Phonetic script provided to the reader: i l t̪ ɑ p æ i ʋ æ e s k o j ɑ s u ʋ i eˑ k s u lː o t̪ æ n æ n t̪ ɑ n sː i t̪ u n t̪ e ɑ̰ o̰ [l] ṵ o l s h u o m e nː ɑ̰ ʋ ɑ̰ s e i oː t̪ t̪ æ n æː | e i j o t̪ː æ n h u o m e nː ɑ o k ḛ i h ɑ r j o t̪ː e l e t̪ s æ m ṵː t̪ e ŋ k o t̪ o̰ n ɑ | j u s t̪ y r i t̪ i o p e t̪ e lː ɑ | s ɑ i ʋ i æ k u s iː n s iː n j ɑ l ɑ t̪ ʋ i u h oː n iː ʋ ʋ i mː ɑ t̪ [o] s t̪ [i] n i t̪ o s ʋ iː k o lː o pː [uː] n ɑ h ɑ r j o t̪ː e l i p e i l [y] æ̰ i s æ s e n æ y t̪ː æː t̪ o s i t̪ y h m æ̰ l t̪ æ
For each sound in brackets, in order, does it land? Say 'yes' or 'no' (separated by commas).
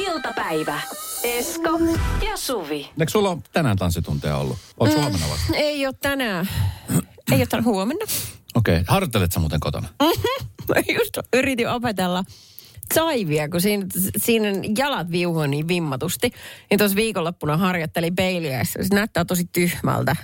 no, no, yes, no, no